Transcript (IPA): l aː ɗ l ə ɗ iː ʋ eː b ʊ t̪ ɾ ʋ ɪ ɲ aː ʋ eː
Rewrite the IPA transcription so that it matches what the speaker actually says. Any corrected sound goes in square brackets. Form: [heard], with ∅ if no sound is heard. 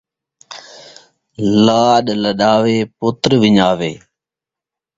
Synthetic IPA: l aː ɗ l ə ɗ [aː] ʋ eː [p] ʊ t̪ ɾ ʋ ɪ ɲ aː ʋ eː